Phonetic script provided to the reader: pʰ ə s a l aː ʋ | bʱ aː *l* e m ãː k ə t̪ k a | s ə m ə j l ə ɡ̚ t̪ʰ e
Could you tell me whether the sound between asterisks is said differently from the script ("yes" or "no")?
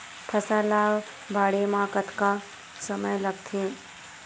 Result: yes